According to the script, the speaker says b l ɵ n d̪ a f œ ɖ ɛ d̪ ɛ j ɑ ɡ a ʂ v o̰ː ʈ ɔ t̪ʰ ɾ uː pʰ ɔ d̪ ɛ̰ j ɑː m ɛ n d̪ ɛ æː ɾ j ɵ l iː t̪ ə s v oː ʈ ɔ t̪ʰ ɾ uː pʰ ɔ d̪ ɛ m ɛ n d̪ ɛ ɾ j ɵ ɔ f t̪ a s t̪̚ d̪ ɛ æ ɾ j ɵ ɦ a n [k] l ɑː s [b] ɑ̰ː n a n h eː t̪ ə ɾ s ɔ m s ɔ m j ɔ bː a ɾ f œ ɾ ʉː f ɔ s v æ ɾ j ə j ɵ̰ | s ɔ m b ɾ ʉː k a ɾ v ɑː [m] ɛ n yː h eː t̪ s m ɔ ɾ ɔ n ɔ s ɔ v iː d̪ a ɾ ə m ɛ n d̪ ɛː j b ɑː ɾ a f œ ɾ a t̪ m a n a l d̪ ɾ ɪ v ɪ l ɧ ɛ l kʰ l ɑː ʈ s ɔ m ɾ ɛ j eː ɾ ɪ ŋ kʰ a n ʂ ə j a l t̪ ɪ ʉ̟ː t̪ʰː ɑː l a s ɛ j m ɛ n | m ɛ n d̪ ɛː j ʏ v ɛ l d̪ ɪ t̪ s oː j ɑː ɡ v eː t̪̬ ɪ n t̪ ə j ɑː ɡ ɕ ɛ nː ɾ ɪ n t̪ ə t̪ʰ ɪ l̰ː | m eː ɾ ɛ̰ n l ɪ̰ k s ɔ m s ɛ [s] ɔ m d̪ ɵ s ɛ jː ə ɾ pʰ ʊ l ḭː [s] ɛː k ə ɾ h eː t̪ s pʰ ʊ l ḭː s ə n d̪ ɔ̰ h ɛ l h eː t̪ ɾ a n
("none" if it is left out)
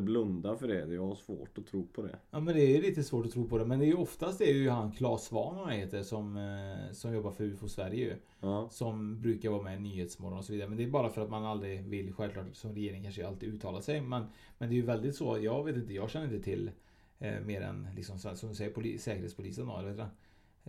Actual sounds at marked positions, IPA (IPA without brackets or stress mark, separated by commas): kʰ, v, m, s, s